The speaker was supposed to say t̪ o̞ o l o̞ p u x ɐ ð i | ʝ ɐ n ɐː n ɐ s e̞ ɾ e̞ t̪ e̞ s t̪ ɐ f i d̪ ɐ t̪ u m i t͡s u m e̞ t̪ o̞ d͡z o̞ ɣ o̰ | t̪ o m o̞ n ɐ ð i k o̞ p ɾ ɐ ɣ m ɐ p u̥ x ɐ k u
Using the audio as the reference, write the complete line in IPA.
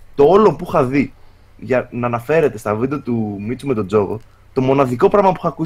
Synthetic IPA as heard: t̪ o̞ o l o̞ p u x ɐ ð i | ʝ ɐ n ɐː n ɐ f e̞ ɾ e̞ t̪ e̞ s t̪ ɐ v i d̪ ɐ t̪ u m i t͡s u m e̞ t̪ o̞ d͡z o̞ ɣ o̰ | t̪ o m o̞ n ɐ ð i k o̞ p ɾ ɐ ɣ m ɐ p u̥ x ɐ k u